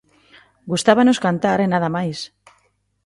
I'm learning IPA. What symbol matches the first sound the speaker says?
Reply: ɡ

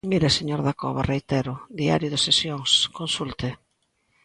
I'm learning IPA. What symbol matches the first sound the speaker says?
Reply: m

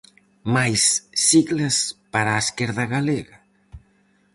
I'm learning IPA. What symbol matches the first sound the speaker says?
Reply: m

